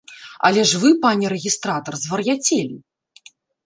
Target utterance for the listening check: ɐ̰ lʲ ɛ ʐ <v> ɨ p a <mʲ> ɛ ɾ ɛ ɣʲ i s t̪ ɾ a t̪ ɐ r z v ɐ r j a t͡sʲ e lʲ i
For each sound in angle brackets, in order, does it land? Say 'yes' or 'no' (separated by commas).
yes, no